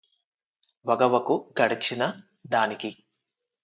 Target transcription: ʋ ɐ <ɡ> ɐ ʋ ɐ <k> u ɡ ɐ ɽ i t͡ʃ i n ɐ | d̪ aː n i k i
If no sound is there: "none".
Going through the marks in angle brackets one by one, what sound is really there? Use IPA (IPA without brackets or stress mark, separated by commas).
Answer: ɡ, k